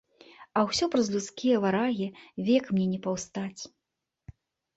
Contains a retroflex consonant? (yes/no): no